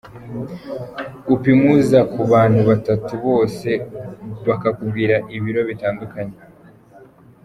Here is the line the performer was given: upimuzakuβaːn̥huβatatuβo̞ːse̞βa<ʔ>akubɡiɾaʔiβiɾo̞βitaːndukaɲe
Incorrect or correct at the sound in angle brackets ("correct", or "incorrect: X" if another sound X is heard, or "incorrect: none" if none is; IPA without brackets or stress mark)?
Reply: incorrect: k